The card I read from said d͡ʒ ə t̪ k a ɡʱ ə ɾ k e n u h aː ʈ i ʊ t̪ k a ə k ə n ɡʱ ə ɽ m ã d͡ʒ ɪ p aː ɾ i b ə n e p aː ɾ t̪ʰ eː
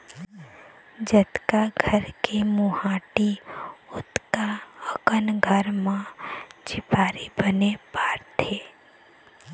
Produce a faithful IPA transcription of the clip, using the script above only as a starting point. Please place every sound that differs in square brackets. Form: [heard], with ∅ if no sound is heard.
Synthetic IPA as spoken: d͡ʒ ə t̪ k a ɡʱ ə ɾ k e [m] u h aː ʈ i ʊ t̪ k a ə k ə n ɡʱ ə [ɾ] m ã d͡ʒ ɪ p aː ɾ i b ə n e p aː ɾ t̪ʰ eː